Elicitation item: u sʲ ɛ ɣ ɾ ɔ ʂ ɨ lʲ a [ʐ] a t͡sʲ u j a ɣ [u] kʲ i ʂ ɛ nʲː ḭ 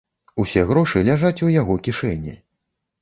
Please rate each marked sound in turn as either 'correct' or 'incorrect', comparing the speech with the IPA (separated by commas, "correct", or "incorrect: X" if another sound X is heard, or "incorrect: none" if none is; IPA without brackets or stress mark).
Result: correct, incorrect: ɔ